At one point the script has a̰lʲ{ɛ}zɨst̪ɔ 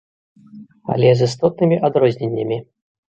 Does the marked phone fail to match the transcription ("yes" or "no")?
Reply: no